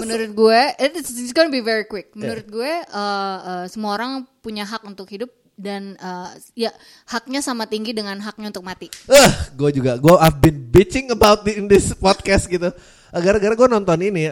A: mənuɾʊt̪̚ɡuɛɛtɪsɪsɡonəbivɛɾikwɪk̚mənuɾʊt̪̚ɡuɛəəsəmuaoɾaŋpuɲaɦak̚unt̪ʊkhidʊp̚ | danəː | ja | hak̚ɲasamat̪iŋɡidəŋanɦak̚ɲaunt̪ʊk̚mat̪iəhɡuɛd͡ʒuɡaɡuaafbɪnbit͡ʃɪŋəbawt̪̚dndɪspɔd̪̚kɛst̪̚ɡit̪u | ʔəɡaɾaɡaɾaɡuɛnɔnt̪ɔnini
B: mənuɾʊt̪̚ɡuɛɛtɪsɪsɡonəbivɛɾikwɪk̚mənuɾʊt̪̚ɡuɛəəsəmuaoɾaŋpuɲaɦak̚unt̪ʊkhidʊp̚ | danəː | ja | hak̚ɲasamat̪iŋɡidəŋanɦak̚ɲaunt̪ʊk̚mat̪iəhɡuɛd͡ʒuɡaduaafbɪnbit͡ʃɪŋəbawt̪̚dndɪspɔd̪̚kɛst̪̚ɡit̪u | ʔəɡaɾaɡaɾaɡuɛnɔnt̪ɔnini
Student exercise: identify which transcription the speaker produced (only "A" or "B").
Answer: A